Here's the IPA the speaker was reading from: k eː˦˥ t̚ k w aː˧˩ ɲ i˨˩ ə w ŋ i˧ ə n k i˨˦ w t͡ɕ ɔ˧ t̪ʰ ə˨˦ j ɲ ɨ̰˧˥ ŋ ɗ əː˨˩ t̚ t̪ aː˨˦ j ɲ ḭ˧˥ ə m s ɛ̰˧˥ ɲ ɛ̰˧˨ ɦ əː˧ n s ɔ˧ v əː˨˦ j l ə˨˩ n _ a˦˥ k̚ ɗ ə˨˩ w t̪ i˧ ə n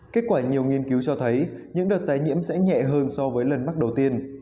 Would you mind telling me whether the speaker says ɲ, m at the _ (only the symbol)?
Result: m